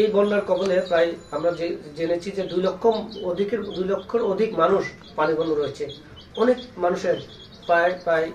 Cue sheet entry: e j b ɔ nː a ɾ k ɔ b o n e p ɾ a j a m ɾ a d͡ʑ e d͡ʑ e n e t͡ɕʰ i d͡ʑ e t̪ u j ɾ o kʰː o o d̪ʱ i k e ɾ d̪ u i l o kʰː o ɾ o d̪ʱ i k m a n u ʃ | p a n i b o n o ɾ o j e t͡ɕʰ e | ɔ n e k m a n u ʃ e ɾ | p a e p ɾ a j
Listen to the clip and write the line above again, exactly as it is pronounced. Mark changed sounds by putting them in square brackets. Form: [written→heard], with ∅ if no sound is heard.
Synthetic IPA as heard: e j b ɔ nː a ɾ k ɔ b o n e p ɾ a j a m ɾ a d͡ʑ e d͡ʑ e n e t͡ɕʰ i d͡ʑ e [t̪→d̪] u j [ɾ→l] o kʰː o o d̪ʱ i k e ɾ d̪ u [i→j] l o kʰː o ɾ o d̪ʱ i k m a n u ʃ | p a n i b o n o ɾ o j e t͡ɕʰ e | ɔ n e k m a n u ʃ e ɾ | p a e p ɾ a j